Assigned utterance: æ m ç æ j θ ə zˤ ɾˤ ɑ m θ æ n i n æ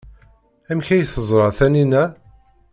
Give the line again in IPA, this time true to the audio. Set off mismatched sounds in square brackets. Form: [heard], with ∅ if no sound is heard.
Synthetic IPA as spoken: æ m ç æ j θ ə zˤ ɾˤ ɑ [∅] θ æ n i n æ

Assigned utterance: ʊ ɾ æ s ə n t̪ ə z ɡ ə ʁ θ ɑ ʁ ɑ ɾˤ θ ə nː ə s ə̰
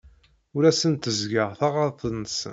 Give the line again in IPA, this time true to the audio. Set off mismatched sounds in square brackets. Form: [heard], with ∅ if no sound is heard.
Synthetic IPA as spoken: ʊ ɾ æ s ə n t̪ ə z ɡ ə ʁ θ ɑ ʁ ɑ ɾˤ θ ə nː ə s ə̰

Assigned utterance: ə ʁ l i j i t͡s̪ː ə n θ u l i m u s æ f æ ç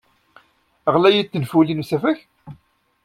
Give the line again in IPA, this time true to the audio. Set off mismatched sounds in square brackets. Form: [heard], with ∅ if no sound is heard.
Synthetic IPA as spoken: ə ʁ l [æ] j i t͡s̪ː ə n [f] u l i [n] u s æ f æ ç

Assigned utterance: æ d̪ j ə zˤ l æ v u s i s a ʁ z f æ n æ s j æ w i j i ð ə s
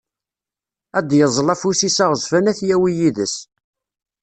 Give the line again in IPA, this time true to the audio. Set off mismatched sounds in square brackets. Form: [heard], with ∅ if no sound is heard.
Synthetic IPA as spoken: æ d̪ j ə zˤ l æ [f] u s i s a ʁ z f æ n æ [θ] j æ w i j i ð ə s

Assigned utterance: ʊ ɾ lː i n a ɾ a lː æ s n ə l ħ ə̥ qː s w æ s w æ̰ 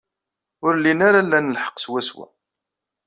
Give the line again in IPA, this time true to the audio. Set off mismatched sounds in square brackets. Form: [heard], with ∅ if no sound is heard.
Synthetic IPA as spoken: ʊ ɾ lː i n a ɾ a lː æ [∅] n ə l ħ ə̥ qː s w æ s w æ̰

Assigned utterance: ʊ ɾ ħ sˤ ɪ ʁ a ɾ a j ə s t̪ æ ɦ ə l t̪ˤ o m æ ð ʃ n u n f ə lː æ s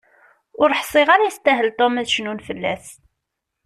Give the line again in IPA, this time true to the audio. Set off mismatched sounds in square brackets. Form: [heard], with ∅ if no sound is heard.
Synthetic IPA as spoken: ʊ ɾ ħ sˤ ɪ ʁ a ɾ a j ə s t̪ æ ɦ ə l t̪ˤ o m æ ð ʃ n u n f ə lː æ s

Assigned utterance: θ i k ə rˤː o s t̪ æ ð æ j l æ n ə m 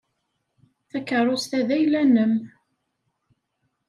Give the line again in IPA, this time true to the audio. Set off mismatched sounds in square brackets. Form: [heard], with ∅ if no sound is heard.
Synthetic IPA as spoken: θ [æ] k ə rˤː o s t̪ æ ð æ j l æ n ə m

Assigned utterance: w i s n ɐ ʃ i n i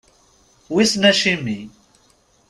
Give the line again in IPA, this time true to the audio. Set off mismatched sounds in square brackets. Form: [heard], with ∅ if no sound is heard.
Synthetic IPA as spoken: w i s n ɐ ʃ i [m] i

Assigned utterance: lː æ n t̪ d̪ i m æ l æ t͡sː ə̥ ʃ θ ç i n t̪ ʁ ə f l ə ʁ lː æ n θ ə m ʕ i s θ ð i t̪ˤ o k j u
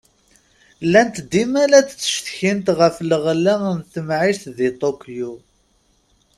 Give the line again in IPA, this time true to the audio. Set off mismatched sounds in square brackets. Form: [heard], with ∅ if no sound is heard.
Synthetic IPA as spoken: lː æ n t̪ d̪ i m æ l æ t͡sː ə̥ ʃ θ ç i n t̪ ʁ ə f l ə ʁ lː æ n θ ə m ʕ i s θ ð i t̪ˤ o k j u

